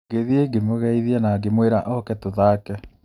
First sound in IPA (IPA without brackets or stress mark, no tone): ɡ